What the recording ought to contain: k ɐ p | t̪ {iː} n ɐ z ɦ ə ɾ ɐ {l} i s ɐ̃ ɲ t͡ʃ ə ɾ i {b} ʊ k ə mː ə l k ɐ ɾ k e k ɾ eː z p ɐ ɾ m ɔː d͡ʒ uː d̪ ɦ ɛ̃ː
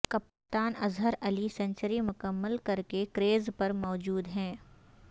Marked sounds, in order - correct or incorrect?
incorrect, correct, incorrect

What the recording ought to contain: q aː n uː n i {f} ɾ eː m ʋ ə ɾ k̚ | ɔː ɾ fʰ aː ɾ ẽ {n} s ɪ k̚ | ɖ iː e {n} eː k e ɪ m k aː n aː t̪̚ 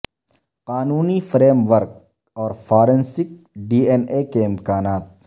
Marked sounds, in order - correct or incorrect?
correct, correct, correct

